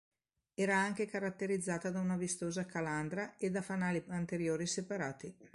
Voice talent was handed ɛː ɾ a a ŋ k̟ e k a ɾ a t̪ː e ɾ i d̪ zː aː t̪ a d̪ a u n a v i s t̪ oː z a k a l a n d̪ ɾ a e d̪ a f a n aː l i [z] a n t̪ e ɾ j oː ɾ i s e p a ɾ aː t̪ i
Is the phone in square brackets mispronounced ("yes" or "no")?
yes